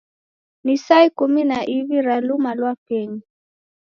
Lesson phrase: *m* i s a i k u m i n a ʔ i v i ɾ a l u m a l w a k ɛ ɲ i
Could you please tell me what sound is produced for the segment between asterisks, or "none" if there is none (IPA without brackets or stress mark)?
n